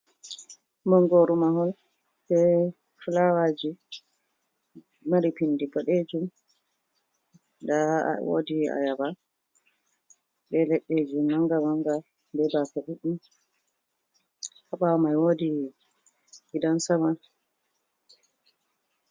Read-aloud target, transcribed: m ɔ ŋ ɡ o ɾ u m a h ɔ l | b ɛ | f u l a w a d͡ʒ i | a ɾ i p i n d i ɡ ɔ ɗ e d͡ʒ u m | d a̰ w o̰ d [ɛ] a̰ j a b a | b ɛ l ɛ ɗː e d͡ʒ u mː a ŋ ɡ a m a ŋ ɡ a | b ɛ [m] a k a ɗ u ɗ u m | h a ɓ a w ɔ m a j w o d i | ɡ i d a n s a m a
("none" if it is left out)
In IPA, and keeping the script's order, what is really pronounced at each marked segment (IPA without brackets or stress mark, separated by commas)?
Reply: i, b